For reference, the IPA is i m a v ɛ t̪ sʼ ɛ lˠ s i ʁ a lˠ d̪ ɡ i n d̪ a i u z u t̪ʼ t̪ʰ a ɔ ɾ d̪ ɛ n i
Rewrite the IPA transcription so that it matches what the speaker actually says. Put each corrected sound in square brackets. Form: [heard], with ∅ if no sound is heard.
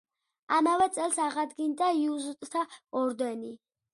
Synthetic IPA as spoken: [a] m a v ɛ t̪ sʼ ɛ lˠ s [a] ʁ a [∅] d̪ ɡ i n d̪ a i u z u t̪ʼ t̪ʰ a ɔ ɾ d̪ ɛ n i